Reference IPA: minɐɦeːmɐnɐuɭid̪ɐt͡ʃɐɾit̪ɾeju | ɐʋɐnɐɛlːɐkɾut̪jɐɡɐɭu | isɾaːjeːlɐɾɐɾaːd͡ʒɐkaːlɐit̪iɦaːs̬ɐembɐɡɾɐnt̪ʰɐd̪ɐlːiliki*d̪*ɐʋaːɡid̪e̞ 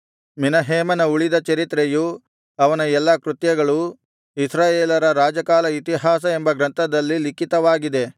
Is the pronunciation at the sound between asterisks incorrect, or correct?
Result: incorrect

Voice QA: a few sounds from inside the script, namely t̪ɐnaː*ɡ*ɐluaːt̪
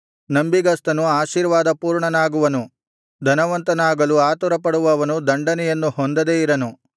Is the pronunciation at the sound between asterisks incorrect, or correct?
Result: correct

